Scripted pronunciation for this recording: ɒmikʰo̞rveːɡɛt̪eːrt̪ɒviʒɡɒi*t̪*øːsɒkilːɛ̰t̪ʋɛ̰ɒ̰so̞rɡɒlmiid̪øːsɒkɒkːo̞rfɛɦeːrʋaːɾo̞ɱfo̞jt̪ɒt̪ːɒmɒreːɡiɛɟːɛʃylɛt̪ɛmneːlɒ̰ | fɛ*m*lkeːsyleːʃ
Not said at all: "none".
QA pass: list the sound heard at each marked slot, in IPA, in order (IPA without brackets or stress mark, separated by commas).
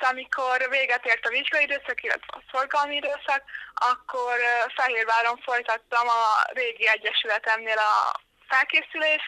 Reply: d̪, none